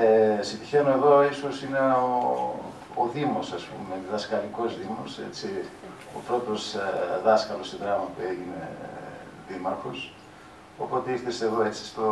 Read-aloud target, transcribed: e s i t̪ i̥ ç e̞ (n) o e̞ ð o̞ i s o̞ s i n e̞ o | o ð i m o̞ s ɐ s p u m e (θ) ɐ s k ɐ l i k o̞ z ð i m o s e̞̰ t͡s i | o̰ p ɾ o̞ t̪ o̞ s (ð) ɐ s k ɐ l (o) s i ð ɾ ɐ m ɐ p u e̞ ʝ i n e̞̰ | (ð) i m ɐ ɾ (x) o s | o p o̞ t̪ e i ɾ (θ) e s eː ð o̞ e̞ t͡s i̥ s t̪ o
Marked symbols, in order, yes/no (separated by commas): yes, no, yes, yes, yes, yes, yes